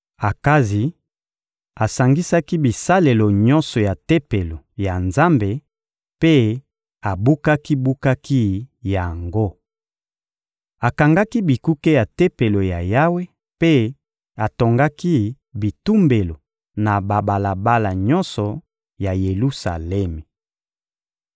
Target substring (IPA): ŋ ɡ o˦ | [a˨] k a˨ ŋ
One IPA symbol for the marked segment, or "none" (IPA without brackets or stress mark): a˨